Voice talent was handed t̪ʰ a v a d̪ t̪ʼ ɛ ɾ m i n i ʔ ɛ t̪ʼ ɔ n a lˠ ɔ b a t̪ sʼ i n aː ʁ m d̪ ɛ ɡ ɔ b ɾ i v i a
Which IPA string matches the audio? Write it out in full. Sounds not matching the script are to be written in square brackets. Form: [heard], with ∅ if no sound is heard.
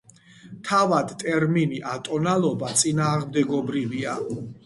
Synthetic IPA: t̪ʰ a v a d̪ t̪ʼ ɛ ɾ m i n i ʔ [a] t̪ʼ ɔ n a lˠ ɔ b a t̪ sʼ i n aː ʁ m d̪ ɛ ɡ ɔ b ɾ i v i a